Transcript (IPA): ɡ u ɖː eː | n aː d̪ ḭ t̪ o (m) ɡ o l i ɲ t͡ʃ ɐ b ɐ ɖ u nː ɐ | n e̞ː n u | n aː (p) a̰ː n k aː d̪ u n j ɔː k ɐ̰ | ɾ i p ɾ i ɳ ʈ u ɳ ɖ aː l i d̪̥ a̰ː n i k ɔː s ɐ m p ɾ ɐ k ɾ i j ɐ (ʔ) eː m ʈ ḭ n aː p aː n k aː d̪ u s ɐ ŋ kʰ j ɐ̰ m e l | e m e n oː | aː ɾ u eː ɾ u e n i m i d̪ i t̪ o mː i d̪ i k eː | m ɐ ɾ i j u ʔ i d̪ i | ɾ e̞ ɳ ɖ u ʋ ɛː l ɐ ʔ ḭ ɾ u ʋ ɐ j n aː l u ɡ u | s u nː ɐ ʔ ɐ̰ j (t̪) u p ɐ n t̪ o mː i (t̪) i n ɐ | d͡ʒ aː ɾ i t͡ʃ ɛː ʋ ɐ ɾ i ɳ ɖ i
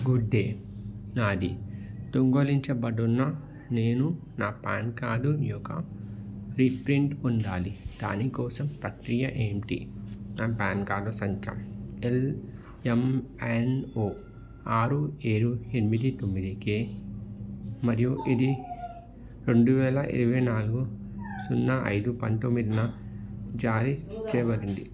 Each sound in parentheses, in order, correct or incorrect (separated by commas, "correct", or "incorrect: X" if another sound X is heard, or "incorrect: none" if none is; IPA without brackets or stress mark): incorrect: ŋ, correct, correct, incorrect: d̪, incorrect: d̪